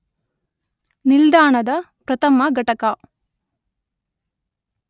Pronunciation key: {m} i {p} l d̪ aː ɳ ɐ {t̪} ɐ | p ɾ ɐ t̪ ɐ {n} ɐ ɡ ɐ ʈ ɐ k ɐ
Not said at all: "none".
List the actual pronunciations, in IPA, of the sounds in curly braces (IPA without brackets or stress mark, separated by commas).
n, none, d̪, m